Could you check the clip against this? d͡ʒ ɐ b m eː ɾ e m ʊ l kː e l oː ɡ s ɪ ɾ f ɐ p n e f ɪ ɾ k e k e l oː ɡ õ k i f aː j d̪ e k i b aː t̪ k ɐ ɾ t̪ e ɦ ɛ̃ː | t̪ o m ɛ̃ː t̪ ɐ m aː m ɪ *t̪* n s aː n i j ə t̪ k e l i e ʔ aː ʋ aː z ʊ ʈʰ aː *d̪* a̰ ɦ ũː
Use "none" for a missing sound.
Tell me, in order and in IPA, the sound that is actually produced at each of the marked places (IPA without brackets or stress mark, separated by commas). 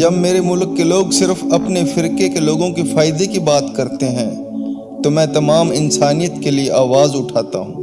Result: none, t̪